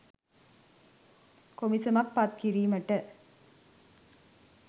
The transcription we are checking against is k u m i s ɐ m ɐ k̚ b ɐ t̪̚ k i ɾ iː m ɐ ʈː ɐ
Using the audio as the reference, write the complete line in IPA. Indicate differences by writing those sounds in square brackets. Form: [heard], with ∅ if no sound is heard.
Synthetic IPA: k [o] m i s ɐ m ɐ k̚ [p] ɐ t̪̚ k i ɾ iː m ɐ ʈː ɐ